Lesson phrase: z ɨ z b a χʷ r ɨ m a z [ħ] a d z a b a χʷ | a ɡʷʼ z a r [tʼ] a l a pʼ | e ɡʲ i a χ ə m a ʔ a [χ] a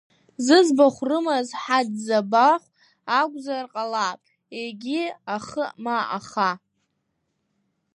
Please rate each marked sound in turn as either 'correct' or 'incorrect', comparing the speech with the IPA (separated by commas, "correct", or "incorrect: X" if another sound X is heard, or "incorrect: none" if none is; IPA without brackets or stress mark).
correct, incorrect: qʼ, correct